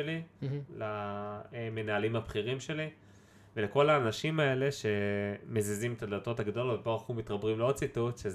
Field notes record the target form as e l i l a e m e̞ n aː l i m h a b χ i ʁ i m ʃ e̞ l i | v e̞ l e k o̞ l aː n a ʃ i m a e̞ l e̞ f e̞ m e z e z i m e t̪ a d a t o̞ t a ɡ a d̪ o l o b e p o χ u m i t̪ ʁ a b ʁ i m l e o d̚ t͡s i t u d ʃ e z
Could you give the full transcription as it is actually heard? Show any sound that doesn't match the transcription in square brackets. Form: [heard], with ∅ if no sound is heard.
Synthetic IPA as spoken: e l i l a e m e̞ n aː l i m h a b χ i ʁ i m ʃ e̞ l i | v e̞ l e k o̞ l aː n a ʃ i m a e̞ l e̞ [ʃ] e̞ m e z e z i m e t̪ a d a t o̞ t a ɡ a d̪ o l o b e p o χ u m i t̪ ʁ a b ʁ i m l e o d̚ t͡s i t u [t] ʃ e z